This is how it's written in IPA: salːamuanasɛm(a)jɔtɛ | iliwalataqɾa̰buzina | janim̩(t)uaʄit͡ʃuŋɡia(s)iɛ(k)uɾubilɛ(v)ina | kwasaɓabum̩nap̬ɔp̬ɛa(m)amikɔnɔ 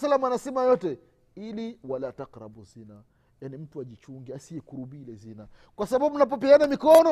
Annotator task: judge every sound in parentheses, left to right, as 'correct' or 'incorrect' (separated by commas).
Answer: correct, correct, correct, correct, incorrect, incorrect